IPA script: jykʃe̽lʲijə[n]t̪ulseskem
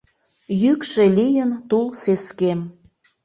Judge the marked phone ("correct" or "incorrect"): correct